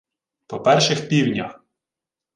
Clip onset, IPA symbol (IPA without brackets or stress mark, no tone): p